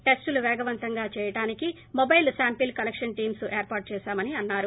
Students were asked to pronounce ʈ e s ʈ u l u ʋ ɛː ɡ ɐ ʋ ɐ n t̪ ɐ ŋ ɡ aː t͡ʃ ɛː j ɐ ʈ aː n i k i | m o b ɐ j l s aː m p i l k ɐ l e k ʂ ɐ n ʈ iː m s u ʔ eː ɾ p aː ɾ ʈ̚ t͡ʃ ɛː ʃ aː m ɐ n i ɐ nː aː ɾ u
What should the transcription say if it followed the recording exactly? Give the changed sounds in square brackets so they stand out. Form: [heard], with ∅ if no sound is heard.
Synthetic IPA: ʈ e s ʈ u l u ʋ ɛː ɡ ɐ ʋ ɐ n t̪ ɐ ŋ ɡ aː t͡ʃ ɛː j ɐ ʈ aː n i k i | m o b ɐ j l s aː m p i l k ɐ l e k ʂ ɐ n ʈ iː m s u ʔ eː ɾ p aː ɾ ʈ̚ t͡ʃ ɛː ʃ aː m ɐ n i ɐ nː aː ɾ u